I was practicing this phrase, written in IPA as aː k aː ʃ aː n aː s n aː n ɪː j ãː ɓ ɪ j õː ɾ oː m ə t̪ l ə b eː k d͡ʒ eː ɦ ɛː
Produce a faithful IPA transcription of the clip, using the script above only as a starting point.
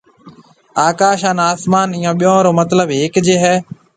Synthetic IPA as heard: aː k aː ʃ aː n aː s m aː n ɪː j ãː ɓ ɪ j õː ɾ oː m ə t̪ l ə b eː k d͡ʒ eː ɦ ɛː